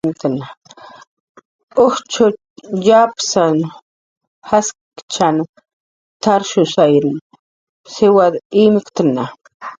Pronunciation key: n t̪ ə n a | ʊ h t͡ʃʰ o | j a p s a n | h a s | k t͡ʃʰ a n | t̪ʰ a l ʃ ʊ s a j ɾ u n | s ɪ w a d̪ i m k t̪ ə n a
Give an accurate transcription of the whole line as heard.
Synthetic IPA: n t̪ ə n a | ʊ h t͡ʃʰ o | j a p s a n | h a s | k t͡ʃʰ a n | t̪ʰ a ɾ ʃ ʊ s a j ɾ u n | s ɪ w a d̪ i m k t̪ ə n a